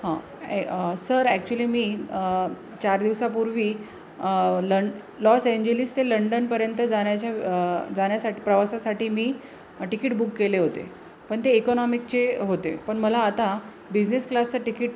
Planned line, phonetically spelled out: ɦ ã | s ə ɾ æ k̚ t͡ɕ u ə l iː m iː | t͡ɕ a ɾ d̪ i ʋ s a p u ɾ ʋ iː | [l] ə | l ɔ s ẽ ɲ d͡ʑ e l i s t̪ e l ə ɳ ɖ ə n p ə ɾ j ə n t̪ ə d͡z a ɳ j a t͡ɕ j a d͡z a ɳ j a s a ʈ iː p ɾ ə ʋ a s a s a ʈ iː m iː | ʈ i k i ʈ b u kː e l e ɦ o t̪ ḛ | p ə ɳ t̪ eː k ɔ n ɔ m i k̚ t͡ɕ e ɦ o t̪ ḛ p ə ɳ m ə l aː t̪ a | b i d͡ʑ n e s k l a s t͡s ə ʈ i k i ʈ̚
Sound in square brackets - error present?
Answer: no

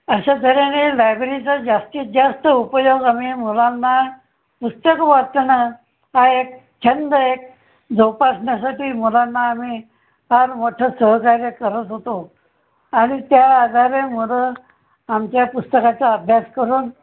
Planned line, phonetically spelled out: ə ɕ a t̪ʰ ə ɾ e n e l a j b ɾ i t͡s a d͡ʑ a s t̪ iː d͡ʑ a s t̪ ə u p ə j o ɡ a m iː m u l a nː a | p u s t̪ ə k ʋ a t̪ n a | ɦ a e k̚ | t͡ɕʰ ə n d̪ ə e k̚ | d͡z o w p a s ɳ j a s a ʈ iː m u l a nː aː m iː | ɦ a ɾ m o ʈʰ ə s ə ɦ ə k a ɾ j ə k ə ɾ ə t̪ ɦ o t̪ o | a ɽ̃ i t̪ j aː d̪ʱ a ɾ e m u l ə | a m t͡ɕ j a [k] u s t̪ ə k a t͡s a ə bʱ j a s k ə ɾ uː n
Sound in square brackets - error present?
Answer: yes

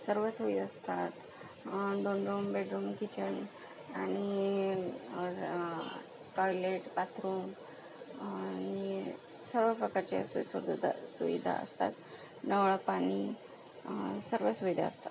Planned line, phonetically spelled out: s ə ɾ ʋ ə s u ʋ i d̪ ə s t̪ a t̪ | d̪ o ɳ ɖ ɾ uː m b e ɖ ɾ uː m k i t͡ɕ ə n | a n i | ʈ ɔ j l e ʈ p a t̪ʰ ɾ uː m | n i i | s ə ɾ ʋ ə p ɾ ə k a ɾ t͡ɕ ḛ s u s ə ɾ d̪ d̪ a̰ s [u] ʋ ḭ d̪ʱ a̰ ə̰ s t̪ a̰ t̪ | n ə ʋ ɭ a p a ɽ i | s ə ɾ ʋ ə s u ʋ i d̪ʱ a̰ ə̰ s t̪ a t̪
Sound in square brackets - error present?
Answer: no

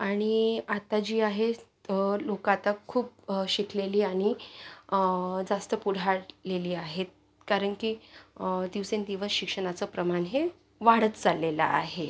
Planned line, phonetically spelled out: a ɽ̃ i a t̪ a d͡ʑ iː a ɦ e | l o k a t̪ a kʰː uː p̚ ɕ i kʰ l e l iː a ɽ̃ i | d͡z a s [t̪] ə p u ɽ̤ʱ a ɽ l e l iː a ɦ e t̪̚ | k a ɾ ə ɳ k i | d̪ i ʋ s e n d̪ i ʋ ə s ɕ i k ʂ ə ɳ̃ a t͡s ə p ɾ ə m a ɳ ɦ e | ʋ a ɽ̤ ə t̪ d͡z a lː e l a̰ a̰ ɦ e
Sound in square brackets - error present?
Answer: no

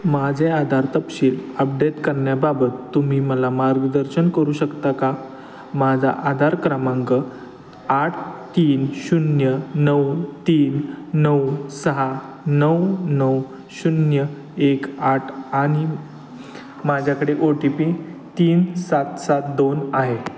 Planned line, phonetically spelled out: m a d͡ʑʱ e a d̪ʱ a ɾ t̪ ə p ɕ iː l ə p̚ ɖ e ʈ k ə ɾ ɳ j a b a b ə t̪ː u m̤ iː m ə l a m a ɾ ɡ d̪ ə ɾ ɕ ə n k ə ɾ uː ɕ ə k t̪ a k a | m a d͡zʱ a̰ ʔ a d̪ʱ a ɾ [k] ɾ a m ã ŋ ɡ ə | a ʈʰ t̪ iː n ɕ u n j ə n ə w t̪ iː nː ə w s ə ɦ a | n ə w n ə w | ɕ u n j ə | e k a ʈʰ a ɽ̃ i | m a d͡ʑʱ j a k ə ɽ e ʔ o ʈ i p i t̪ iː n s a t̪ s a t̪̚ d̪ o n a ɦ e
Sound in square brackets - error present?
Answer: no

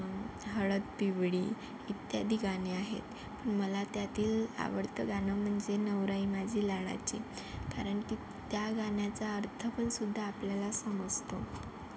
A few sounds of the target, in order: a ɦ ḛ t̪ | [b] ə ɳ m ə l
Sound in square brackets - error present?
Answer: yes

